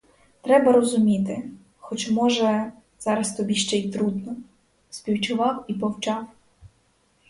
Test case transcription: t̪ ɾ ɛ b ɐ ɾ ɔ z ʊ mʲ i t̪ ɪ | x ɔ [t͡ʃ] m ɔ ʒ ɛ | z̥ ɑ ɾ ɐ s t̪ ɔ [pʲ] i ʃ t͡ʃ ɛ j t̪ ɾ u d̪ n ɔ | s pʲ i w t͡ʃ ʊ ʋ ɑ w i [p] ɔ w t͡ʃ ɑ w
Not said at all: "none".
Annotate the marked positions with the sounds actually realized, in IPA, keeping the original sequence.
t͡ʃ, bʲ, p

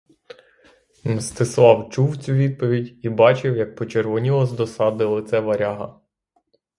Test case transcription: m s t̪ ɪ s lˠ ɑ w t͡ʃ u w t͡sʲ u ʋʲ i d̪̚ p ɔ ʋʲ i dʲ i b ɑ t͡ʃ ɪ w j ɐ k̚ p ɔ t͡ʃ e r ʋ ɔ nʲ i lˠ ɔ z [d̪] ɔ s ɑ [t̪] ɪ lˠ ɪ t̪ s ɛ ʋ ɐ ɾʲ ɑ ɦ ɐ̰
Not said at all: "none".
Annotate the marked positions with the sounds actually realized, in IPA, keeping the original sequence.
d̪, d̪

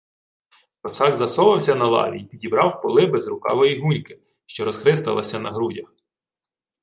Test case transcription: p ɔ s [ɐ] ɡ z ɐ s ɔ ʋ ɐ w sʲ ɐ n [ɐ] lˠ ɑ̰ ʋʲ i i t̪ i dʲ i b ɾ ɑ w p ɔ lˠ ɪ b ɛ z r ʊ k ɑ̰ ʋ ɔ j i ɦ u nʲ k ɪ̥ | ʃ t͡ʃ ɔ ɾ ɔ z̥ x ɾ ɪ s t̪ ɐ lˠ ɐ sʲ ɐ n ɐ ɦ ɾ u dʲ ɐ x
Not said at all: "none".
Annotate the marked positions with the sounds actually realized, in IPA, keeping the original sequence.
ɑ, ɐ

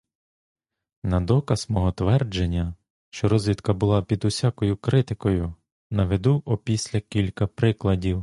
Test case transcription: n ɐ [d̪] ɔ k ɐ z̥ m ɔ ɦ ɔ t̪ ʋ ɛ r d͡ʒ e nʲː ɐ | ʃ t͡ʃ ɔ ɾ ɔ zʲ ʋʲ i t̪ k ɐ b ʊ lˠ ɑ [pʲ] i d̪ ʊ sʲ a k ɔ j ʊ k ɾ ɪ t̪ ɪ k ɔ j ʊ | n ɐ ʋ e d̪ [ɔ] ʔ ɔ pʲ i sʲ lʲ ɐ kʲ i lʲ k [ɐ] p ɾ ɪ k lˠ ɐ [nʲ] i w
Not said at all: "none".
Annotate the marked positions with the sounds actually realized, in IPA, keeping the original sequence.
d̪, pʲ, u, ɐ, dʲ

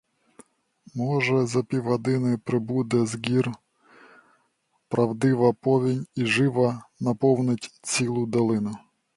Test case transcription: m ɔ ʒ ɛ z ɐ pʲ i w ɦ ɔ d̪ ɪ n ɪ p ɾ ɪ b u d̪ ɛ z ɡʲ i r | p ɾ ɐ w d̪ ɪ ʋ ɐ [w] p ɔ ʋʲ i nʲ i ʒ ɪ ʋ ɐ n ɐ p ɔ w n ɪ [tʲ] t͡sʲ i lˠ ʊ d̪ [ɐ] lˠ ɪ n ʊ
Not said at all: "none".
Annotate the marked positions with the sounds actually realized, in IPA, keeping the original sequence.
none, tʲ, ɐ

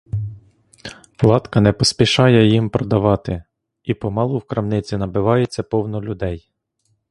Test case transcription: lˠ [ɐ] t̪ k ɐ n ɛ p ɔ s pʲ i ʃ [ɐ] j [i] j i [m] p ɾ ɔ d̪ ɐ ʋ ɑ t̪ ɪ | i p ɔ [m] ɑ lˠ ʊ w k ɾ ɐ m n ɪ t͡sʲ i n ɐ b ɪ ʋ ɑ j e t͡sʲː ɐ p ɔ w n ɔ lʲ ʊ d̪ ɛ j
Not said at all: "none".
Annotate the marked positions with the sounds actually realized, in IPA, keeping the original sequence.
ɑ, ɑ, ɛ, m, m

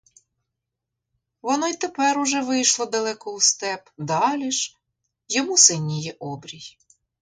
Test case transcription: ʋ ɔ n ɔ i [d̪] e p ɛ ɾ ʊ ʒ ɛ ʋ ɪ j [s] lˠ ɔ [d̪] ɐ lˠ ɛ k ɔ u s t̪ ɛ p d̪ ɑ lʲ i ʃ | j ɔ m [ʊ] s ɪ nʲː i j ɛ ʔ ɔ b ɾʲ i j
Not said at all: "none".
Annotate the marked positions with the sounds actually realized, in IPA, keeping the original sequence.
t̪, ʃ, d̪, u

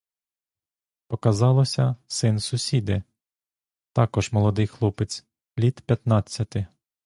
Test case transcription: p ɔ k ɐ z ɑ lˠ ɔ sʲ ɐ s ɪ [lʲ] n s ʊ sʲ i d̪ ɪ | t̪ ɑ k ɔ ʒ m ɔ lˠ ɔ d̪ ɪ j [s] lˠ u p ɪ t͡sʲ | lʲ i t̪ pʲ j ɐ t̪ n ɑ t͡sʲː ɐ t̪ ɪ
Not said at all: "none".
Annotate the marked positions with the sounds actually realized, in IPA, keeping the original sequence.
none, x

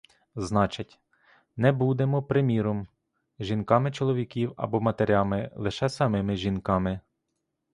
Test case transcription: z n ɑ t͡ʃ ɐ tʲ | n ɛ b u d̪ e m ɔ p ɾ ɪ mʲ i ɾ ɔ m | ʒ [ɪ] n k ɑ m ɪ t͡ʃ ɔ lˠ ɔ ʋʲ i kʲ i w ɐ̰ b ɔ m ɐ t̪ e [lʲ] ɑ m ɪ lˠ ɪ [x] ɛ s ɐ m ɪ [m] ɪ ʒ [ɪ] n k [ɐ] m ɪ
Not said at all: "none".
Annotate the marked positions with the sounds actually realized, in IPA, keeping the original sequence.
i, ɾʲ, ʃ, m, i, ɑ

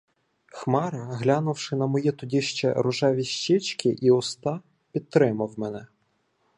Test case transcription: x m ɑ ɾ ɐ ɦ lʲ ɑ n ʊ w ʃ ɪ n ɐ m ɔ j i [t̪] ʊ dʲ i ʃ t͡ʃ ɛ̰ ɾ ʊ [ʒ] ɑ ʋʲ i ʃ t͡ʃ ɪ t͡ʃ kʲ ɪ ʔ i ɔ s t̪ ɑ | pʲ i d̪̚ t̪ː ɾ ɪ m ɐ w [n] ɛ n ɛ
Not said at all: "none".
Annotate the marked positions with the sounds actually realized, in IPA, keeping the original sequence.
t̪, ʒ, m

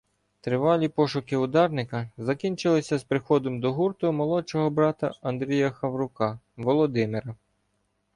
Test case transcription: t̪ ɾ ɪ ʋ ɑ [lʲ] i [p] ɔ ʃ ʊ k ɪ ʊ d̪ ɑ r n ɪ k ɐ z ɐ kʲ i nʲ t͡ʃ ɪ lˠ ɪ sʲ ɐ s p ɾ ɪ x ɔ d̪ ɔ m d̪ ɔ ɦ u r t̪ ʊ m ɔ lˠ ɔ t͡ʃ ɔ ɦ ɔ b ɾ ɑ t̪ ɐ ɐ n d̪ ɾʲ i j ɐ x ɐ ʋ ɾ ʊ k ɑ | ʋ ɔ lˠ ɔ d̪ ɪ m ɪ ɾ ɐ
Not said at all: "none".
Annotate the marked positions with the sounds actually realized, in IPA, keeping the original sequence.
lʲ, p

